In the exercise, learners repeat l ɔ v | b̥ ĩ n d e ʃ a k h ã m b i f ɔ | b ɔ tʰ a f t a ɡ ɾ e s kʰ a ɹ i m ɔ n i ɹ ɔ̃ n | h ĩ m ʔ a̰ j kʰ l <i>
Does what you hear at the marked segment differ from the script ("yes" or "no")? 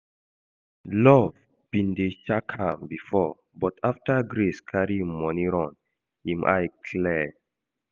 yes